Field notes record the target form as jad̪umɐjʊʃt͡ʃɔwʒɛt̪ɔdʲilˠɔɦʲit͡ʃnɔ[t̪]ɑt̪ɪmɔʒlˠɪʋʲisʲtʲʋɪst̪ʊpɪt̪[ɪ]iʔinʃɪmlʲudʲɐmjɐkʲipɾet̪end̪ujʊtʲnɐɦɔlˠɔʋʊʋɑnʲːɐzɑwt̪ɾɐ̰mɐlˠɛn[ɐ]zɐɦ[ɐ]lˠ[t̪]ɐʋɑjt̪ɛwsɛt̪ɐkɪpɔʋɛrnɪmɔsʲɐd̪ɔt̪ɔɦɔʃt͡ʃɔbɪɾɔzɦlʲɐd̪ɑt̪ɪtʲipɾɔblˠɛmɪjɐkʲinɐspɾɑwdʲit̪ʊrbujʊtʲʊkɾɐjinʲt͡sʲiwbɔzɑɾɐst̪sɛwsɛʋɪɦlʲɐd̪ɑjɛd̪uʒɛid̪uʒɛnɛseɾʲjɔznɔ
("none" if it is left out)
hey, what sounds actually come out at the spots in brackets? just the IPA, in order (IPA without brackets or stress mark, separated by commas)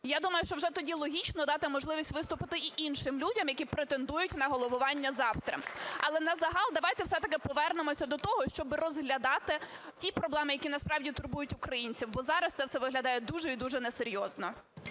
d̪, ɪ, ɐ, ɑ, d̪